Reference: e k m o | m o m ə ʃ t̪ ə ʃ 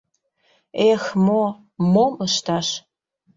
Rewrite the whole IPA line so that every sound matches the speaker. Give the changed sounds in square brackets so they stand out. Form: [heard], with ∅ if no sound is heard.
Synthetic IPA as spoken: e [x] m o | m o m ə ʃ t̪ [ɑ] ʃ